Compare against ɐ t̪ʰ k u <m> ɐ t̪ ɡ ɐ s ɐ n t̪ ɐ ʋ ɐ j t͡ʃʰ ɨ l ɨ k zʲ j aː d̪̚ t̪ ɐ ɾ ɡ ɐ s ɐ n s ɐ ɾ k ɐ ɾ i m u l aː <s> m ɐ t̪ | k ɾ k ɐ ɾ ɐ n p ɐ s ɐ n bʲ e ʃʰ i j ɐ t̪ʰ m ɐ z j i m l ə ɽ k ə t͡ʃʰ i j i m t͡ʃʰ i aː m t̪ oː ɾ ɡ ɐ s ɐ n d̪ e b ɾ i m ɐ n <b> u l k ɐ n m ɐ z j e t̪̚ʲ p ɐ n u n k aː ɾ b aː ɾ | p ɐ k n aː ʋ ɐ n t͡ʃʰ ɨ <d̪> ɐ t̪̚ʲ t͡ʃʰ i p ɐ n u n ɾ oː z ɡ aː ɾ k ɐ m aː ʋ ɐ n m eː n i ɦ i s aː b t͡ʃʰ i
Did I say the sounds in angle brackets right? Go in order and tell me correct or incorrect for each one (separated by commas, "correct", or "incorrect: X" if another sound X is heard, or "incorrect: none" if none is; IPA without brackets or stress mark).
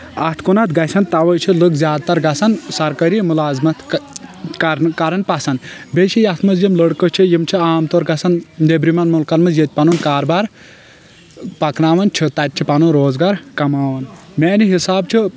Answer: incorrect: n, incorrect: z, incorrect: m, incorrect: t̪